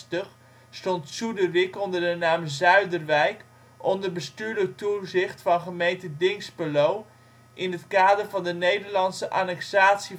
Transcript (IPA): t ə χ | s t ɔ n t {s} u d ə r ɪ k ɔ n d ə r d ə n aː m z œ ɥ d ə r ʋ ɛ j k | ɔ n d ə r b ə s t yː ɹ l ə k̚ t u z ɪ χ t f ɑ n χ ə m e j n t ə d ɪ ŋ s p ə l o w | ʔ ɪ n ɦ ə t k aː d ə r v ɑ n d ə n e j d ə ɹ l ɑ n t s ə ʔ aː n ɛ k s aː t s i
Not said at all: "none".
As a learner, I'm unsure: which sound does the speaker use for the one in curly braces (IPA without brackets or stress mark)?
s